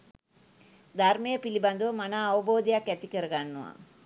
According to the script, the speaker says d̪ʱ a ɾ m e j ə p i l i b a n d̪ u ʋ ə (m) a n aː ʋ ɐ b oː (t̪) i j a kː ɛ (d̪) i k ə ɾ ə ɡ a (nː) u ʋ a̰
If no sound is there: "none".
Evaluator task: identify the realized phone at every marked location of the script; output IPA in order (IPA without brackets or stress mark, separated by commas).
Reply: m, d̪, t̪, nː